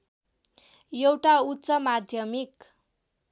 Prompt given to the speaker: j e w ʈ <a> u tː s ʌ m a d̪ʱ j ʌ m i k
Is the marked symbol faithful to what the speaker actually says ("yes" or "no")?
yes